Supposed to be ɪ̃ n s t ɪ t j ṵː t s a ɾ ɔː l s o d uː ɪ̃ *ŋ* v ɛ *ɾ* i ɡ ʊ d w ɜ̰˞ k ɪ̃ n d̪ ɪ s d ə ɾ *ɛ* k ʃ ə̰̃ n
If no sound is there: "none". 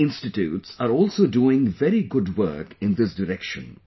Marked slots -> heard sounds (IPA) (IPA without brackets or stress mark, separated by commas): ŋ, ɾ, ɛ